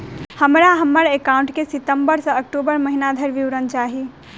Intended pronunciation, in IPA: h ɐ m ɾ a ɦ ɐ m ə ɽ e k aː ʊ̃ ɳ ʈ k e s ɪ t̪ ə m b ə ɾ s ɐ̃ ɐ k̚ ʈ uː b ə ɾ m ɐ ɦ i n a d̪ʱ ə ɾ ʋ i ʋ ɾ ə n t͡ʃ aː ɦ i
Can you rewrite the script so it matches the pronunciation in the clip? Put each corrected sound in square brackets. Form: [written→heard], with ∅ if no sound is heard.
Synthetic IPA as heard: h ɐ m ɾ a ɦ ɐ m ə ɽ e k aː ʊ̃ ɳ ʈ k e s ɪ t̪ ə m b ə ɾ s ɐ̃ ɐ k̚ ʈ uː b ə ɾ m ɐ ɦ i n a d̪ʱ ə ɾ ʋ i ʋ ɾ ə n t͡ʃ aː ɦ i